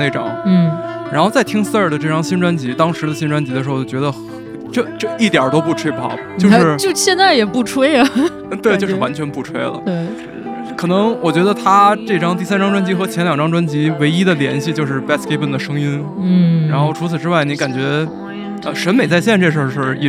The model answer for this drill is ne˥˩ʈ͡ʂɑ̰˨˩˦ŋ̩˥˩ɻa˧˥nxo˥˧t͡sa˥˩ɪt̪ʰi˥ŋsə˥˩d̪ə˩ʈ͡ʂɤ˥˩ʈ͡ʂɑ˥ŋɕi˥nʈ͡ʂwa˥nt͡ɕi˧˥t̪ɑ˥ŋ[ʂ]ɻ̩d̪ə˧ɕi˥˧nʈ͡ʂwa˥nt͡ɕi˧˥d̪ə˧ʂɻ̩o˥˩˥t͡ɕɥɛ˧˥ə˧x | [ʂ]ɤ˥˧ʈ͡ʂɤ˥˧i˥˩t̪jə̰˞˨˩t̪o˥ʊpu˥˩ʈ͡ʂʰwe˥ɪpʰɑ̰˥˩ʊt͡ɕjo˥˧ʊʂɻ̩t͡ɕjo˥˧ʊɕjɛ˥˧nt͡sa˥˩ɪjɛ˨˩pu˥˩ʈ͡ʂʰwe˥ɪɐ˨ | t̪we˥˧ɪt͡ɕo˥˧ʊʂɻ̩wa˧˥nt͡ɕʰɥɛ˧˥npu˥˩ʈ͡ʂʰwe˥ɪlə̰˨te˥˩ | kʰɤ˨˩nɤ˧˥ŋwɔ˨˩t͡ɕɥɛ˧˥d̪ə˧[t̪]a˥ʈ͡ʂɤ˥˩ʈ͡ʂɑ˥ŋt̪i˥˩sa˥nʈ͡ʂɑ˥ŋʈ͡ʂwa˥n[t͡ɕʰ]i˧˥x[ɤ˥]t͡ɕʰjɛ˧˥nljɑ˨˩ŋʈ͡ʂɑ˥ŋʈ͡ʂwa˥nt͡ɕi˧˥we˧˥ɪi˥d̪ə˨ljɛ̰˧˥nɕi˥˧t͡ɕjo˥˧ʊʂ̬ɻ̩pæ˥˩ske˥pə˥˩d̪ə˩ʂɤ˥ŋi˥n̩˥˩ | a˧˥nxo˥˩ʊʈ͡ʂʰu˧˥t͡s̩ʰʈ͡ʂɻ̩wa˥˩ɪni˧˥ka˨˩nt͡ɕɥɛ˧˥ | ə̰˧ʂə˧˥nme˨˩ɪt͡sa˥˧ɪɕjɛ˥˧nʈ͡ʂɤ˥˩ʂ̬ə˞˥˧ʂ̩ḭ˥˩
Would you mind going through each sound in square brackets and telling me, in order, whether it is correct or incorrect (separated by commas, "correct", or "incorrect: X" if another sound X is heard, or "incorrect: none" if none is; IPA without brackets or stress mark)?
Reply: correct, incorrect: ʈ͡ʂ, incorrect: t̪ʰ, incorrect: t͡ɕ, incorrect: ɤ˧˥